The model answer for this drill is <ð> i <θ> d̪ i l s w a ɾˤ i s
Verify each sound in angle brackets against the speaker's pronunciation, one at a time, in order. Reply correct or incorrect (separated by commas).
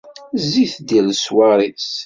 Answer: incorrect, correct